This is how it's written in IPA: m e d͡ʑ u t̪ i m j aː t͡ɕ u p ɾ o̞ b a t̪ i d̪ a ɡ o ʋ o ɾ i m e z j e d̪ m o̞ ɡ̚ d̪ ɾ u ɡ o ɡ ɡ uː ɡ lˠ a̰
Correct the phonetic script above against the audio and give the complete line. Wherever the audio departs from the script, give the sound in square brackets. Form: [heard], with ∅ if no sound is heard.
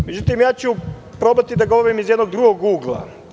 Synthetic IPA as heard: m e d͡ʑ u t̪ i m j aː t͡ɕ u p ɾ o̞ b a t̪ i d̪ a ɡ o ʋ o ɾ i m [i] z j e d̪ [n] o̞ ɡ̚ d̪ ɾ u ɡ o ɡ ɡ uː ɡ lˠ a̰